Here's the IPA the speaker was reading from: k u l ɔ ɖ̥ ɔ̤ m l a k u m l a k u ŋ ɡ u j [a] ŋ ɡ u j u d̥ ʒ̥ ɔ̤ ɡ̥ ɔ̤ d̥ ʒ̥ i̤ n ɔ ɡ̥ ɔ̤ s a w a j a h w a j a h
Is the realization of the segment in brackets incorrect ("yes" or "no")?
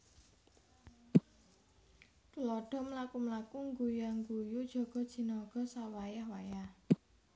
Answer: no